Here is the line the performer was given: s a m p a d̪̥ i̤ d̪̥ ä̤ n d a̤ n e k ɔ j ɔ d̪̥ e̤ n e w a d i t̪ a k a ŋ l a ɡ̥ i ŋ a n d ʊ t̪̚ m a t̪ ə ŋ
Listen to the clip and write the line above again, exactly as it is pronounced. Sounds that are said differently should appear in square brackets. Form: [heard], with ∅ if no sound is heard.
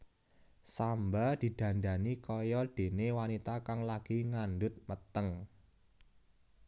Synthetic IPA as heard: s a m [b] a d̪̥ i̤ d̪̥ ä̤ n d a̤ n [i] k ɔ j ɔ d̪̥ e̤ n e w a [n] i t̪ a k a ŋ l a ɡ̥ i ŋ a n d ʊ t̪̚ m [ə] t̪ ə ŋ